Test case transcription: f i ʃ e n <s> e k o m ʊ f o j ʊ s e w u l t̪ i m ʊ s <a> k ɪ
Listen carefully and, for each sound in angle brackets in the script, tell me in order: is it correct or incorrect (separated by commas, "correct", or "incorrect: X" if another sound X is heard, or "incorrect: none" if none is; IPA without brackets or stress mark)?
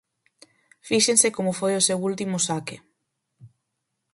correct, correct